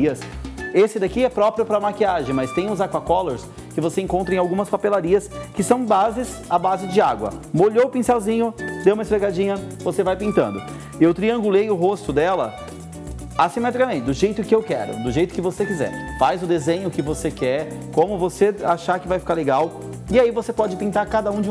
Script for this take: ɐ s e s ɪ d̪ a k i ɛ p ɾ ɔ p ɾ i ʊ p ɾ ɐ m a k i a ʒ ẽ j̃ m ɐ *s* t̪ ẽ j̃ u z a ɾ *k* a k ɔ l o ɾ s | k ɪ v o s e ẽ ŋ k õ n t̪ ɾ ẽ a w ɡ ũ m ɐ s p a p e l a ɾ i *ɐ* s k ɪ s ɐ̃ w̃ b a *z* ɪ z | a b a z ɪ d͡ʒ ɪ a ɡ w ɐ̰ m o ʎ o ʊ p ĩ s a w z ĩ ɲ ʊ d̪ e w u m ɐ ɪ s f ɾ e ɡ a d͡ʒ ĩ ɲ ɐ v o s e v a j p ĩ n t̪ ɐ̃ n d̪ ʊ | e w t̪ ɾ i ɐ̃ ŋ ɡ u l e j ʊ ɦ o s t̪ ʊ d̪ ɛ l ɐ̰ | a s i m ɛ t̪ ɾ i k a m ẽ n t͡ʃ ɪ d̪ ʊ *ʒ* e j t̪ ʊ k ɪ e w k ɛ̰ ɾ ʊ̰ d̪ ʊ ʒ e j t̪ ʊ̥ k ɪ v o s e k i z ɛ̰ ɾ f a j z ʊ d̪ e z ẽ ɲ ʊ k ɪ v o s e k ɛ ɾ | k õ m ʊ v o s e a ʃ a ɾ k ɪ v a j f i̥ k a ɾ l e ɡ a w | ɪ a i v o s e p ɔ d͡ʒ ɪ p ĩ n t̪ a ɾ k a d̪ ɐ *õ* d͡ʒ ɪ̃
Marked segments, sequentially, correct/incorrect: correct, correct, correct, correct, correct, incorrect

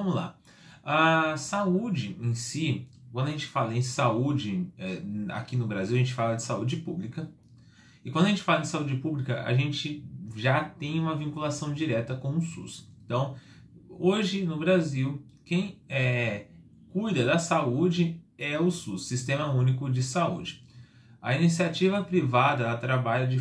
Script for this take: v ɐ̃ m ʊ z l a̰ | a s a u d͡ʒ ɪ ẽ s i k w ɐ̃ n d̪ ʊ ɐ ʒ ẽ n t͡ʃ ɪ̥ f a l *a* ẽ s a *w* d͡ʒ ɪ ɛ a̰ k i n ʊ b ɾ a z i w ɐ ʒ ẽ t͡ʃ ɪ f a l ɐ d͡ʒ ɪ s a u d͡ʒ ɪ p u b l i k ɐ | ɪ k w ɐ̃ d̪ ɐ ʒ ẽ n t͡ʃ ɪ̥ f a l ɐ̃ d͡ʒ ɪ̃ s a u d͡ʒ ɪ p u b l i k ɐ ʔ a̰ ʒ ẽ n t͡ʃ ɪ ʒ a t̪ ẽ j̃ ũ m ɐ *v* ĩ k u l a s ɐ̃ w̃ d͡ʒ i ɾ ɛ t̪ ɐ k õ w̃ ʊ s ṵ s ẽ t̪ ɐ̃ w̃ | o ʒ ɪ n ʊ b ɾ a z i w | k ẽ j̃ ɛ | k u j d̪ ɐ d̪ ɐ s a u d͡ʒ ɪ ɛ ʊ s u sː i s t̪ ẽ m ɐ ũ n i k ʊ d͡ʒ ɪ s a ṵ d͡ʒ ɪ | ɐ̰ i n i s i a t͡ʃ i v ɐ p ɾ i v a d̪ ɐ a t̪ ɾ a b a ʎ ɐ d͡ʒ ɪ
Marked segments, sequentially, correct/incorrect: incorrect, incorrect, correct

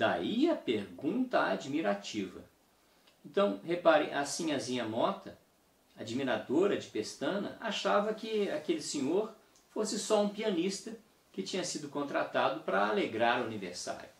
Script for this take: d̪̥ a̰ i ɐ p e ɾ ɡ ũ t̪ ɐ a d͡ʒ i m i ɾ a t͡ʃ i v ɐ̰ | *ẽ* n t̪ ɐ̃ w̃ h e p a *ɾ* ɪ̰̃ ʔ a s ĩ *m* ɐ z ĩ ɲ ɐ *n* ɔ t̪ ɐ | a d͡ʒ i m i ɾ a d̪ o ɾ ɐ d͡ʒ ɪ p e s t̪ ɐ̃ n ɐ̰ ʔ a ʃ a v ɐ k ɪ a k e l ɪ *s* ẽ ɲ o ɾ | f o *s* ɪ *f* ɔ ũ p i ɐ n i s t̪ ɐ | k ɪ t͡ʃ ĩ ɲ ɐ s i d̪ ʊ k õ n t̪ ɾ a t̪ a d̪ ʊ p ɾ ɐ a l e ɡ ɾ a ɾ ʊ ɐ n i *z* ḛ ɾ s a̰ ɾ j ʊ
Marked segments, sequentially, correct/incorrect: correct, correct, incorrect, incorrect, correct, correct, incorrect, incorrect

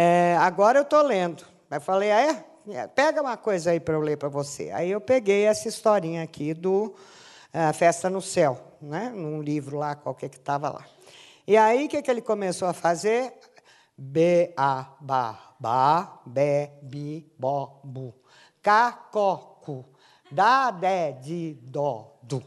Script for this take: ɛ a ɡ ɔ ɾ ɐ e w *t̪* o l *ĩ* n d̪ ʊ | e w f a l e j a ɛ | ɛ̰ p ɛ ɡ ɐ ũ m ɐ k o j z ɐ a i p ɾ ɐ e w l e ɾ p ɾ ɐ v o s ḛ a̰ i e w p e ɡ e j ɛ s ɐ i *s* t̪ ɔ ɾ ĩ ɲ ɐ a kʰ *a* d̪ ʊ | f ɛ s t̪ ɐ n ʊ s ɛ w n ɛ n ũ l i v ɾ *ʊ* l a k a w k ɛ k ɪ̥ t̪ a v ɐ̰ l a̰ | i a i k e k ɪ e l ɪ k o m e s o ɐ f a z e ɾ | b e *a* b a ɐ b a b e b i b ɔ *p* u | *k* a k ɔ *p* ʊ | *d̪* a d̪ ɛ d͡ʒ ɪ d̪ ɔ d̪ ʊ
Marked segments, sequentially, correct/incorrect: correct, incorrect, correct, incorrect, correct, correct, incorrect, correct, incorrect, correct

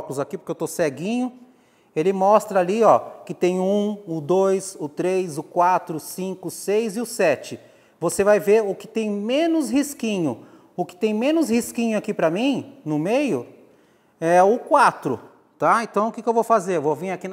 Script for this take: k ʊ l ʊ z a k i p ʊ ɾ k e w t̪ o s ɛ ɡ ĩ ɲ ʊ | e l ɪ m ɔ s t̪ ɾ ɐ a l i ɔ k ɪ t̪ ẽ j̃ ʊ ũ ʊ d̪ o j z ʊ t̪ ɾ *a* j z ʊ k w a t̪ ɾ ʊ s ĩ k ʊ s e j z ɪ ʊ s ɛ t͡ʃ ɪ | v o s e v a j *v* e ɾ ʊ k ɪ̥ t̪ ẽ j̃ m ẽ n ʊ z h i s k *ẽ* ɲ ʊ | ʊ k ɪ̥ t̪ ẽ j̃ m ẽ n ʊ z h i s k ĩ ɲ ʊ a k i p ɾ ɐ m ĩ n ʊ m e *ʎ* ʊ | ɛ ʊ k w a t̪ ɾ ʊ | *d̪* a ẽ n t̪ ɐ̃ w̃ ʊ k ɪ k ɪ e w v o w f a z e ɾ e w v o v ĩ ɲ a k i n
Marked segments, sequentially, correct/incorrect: incorrect, correct, incorrect, incorrect, incorrect

